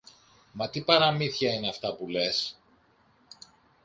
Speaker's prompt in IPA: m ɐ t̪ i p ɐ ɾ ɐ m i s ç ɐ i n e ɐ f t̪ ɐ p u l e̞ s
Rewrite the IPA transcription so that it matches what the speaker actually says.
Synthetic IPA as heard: m ɐ t̪ i p ɐ ɾ ɐ m i θ ç ɐ i n e ɐ f t̪ ɐ p u l e̞ s